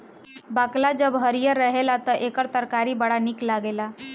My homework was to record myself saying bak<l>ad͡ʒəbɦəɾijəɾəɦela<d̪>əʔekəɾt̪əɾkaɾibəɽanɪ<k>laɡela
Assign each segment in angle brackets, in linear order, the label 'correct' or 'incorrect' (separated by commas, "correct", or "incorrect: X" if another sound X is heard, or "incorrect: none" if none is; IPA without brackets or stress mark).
correct, incorrect: t̪, correct